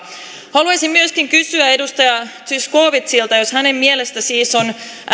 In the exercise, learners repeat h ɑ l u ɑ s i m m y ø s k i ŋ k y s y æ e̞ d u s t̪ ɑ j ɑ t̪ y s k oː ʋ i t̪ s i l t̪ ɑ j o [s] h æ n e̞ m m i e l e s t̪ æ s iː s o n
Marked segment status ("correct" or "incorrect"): correct